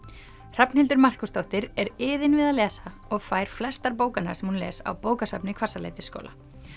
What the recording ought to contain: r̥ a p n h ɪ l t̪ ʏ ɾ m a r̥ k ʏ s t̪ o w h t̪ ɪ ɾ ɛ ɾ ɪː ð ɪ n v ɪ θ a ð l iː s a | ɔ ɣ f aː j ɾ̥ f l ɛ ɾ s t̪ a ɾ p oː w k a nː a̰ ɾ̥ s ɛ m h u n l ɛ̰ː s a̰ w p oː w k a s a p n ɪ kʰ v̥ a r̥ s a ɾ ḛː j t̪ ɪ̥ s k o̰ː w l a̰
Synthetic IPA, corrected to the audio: r̥ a p n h ɪ l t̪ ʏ ɾ m a r̥ k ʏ s t̪ o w h t̪ ɪ ɾ ɛ ɾ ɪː ð ɪ n v ɪ ð a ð l ɛː s a | ɔ ɣ f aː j ɾ̥ f l ɛ s t̪ a ɾ p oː w k a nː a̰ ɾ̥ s ɛ m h u n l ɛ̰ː s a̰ w p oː w k a s a p n ɪ kʰ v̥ a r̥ s a l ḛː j t̪ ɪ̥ s k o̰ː w l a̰